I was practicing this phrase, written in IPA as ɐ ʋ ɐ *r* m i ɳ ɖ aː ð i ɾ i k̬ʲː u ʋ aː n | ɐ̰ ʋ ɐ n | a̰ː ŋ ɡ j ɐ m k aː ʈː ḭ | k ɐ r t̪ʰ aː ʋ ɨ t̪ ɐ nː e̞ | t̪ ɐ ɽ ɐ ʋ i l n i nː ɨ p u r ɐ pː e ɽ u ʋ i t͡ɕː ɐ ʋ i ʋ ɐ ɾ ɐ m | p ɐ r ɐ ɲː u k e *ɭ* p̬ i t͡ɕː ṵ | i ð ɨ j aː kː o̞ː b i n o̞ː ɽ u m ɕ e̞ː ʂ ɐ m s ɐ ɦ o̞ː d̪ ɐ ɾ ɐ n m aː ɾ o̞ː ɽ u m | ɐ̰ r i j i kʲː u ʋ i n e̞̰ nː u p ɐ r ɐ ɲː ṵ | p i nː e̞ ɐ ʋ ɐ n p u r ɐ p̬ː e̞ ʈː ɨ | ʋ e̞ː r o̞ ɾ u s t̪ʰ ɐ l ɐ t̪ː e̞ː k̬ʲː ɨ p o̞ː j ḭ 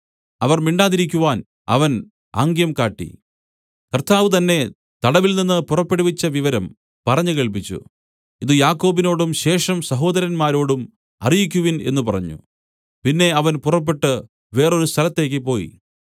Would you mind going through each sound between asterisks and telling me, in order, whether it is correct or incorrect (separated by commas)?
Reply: correct, correct